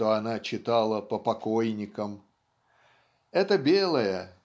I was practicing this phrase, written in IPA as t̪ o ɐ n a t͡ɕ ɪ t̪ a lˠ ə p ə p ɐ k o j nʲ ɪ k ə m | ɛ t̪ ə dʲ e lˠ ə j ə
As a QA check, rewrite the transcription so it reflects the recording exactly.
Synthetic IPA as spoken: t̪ o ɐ n a t͡ɕ ɪ t̪ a lˠ ə p ə p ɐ k o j nʲ ɪ k ə m | ɛ t̪ ə bʲ e lˠ ə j ə